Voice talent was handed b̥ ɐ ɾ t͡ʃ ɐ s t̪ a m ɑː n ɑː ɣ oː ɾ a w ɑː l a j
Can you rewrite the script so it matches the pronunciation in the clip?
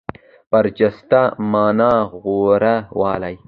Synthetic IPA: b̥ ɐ ɾ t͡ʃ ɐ s t̪ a m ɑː n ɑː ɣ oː ɾ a w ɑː l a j